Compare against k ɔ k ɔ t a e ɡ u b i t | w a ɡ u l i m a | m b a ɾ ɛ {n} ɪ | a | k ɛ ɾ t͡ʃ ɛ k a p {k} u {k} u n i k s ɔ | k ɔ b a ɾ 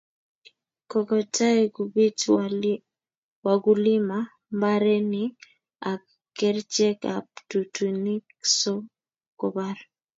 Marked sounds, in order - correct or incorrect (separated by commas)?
correct, incorrect, incorrect